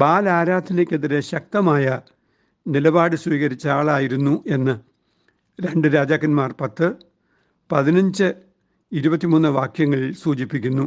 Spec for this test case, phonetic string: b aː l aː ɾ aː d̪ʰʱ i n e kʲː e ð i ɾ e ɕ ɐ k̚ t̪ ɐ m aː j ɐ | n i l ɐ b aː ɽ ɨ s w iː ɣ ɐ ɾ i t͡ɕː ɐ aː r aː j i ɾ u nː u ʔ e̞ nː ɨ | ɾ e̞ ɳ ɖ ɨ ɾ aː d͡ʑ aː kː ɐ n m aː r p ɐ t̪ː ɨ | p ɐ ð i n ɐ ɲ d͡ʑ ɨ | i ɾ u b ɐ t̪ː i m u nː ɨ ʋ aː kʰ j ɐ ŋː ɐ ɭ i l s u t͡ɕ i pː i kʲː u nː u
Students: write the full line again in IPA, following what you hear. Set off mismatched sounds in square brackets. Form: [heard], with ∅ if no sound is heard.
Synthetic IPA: b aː l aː ɾ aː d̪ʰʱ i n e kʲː e ð i ɾ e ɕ ɐ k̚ t̪ ɐ m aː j ɐ | n i l ɐ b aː ɽ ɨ s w iː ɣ ɐ ɾ i t͡ɕː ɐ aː [ɭ] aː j i ɾ u nː u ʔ e̞ nː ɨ | ɾ e̞ ɳ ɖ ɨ ɾ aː d͡ʑ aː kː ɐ n m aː r p ɐ t̪ː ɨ | p ɐ ð i n ɐ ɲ d͡ʑ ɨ | i ɾ u b ɐ t̪ː i m u nː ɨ ʋ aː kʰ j ɐ ŋː ɐ ɭ i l s [uː] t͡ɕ i pː i kʲː u nː u